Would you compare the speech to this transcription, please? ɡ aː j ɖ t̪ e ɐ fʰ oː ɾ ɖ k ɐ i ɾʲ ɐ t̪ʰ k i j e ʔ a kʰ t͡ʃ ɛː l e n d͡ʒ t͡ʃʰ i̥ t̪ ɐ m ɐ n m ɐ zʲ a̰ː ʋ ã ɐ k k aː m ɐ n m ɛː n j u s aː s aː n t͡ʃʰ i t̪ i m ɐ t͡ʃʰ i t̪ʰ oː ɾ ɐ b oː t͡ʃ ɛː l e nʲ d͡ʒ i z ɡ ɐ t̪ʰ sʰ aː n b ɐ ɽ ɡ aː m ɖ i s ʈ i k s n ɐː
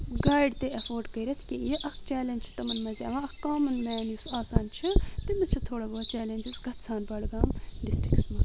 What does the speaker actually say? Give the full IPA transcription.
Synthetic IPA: ɡ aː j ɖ t̪ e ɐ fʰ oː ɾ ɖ k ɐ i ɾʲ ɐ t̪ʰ k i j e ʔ ɐ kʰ t͡ʃ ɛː l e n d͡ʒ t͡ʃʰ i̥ t̪ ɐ m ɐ n m ɐ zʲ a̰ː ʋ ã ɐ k k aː m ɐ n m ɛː n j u s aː s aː n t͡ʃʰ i t̪ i m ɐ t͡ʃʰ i t̪ʰ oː ɽ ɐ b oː t͡ʃ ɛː l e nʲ d͡ʒ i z ɡ ɐ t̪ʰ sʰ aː n b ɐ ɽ ɡ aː m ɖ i s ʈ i k s m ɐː